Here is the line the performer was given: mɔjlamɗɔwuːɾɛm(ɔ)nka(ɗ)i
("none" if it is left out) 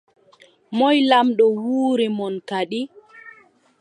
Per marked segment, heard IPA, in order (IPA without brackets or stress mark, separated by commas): ɔ, ɗ